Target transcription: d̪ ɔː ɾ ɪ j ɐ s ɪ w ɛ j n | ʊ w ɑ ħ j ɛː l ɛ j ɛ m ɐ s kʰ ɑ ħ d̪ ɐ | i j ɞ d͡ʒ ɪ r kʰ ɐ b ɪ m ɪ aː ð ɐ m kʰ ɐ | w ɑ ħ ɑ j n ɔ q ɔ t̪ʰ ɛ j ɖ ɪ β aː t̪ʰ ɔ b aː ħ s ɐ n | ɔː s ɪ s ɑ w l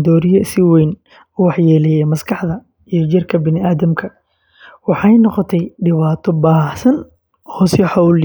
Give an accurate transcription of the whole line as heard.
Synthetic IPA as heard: d̪ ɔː ɾ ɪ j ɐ s ɪ w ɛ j n | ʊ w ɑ ħ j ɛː l ɛ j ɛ m ɐ s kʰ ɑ ħ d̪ ɐ | i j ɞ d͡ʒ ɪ r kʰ ɐ b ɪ n ɪ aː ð ɐ m kʰ ɐ | w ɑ ħ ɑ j n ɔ q ɔ t̪ʰ ɛ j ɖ ɪ β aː t̪ʰ ɔ b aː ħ s ɐ n | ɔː s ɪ ħ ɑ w l